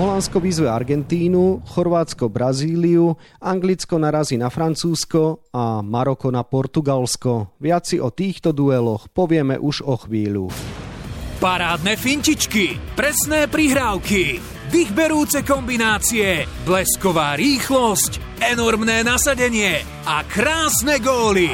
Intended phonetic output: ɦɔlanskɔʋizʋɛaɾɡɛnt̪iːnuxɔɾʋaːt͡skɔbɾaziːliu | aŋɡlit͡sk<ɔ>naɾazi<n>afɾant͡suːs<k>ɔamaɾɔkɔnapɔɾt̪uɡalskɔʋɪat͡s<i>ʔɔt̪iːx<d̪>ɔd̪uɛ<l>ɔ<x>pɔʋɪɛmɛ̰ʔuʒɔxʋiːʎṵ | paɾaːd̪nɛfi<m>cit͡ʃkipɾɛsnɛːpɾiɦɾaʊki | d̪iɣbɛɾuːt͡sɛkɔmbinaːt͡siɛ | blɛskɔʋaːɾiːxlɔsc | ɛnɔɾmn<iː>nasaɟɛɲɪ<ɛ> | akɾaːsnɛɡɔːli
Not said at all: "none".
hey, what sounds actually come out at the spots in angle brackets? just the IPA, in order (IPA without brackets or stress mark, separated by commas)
ɔ, n, k, i, t̪, l, x, ɲ, ɛː, ɛ